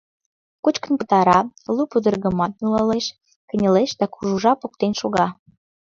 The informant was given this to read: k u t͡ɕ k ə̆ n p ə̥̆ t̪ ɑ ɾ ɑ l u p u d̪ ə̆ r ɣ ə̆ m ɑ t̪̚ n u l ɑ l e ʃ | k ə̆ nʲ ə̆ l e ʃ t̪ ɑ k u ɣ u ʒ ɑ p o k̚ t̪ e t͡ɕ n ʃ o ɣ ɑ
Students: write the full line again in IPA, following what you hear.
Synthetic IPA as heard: k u t͡ɕ k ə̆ n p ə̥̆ t̪ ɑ ɾ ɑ l u p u d̪ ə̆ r ɣ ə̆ m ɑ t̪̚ n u l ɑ l e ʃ | k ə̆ nʲ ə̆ l e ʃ d̪ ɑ k u ʒ u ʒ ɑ p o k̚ t̪ e n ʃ o ɣ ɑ